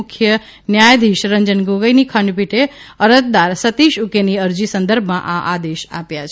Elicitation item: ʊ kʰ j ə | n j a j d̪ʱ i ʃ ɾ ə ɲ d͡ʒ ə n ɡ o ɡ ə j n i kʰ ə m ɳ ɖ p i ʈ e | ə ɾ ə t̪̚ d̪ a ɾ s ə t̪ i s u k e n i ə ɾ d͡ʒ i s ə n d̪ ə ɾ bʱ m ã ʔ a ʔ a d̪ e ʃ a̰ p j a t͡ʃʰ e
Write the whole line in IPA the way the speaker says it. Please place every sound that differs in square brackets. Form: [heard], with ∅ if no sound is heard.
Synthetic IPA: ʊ kʰ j ə | n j a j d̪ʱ i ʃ ɾ ə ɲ d͡ʒ ə n ɡ o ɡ ə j n i kʰ ə [∅] ɳ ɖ p i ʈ e | ə ɾ ə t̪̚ d̪ a ɾ s ə t̪ i [ʃ] u k e n i ə ɾ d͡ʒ i s ə n d̪ ə ɾ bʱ m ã ʔ a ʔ a d̪ e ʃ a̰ p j a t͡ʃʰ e